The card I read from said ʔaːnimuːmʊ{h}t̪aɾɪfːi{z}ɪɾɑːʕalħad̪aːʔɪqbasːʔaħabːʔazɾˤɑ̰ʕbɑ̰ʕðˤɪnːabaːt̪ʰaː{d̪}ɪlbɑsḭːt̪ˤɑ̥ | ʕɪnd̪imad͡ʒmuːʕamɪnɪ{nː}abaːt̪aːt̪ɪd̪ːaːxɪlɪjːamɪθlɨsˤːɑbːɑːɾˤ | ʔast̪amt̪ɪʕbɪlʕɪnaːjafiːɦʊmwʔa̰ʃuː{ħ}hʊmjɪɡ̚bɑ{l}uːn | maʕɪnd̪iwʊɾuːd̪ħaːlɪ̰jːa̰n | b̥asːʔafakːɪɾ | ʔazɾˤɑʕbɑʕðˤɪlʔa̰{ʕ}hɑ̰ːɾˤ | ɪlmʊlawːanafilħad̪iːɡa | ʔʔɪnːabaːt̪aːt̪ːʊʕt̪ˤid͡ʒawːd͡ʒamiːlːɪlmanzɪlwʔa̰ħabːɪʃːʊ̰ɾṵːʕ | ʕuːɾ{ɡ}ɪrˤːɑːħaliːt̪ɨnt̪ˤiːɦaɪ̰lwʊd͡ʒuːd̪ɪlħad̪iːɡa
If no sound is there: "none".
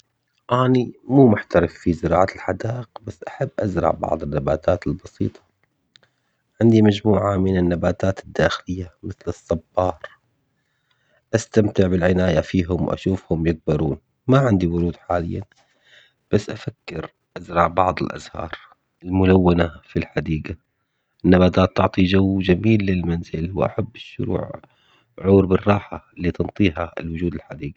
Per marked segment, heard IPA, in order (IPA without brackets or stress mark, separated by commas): ħ, z, t̪, nː, f, ɾ, z, b